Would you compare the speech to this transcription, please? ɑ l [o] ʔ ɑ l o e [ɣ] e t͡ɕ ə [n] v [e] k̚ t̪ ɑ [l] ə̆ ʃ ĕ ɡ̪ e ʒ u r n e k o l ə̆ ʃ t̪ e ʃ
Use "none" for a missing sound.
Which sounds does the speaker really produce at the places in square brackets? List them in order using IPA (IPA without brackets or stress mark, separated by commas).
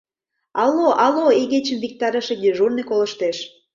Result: o, ɣ, m, i, ɾ